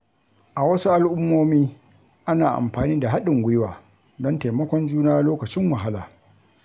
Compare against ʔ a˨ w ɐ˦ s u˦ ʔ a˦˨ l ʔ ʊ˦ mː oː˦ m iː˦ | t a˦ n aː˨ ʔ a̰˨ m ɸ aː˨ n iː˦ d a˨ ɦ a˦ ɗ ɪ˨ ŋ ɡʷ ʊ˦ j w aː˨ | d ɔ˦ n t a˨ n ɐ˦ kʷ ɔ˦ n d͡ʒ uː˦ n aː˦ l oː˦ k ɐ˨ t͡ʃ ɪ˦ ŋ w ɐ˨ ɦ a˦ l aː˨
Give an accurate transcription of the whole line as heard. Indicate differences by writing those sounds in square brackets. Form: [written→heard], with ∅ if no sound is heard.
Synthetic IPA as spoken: ʔ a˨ w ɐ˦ s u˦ ʔ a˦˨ l ʔ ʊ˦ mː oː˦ m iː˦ | [t→ʔ] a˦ n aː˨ ʔ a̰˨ m ɸ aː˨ n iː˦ d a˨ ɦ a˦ ɗ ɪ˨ ŋ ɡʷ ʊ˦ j w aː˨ | d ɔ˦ n t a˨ [n→m] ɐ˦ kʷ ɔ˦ n d͡ʒ uː˦ n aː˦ l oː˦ k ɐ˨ t͡ʃ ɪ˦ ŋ w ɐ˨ ɦ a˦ l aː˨